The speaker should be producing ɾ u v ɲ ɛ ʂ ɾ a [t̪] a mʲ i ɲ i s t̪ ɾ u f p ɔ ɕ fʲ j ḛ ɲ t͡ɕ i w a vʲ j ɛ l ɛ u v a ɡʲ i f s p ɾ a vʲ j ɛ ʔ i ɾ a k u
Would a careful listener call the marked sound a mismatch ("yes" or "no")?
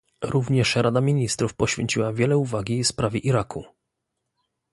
yes